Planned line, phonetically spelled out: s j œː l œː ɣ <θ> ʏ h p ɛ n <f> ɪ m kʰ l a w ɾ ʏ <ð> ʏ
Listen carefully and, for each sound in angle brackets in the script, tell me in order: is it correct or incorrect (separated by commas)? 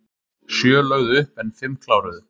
incorrect, correct, correct